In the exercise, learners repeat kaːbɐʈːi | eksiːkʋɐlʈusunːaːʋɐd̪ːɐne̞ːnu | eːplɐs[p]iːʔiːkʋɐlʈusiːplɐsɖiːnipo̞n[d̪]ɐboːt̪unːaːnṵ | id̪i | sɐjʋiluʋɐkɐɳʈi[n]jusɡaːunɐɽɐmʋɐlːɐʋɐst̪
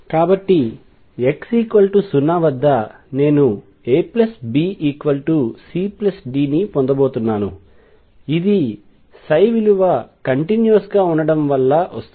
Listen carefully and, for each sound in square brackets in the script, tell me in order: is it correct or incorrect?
incorrect, correct, correct

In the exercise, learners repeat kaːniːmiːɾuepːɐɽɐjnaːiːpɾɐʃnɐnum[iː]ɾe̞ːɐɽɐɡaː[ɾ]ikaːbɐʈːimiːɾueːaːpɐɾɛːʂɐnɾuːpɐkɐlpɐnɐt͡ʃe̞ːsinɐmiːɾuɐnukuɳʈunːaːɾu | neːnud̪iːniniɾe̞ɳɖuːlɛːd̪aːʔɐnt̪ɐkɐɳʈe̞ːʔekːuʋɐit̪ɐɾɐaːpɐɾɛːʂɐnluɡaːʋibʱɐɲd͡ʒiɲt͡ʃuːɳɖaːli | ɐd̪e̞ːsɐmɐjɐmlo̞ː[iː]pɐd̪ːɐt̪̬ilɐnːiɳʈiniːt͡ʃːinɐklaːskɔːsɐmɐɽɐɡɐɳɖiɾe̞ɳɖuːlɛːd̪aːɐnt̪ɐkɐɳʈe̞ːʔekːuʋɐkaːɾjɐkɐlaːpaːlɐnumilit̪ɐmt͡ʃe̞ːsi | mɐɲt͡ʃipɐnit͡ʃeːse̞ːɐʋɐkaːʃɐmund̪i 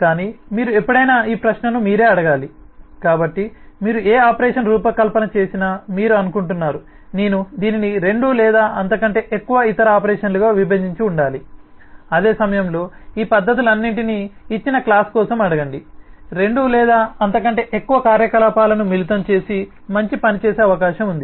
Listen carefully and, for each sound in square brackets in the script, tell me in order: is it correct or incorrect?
correct, incorrect, correct

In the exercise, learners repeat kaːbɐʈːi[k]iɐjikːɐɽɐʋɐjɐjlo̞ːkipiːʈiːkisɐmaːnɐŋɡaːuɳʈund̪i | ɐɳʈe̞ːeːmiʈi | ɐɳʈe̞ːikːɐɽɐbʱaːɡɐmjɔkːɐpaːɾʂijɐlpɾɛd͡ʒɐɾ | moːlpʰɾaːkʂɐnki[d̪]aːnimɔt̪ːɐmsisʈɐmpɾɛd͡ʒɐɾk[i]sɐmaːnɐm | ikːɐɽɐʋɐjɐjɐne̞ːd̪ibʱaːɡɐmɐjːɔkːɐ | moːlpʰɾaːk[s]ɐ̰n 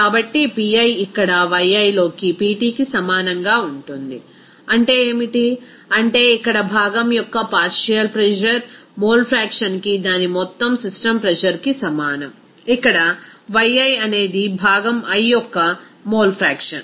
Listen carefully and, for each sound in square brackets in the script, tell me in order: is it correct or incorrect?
incorrect, correct, correct, incorrect

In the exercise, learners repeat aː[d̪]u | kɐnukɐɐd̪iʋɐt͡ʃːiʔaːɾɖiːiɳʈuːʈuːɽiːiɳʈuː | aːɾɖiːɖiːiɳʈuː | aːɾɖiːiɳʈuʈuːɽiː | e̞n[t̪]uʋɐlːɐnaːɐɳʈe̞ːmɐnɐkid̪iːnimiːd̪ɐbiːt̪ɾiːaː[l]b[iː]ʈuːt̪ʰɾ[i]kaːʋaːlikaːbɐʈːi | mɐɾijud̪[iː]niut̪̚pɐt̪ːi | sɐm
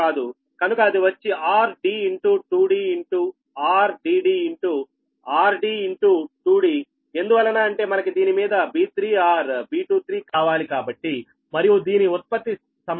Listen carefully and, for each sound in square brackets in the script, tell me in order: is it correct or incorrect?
correct, incorrect, incorrect, correct, incorrect, correct

